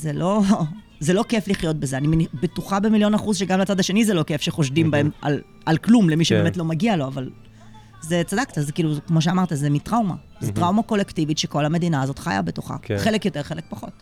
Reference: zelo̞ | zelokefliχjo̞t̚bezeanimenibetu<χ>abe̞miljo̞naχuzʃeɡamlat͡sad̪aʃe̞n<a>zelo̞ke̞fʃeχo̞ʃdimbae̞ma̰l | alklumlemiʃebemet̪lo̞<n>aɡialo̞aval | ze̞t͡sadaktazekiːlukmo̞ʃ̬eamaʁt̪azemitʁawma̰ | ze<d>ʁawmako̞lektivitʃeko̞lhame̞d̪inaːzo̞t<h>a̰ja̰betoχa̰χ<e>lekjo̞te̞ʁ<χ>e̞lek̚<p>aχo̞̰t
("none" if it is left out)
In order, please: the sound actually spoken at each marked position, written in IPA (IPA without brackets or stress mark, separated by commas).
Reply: χ, i, m, t, χ, e, χ, p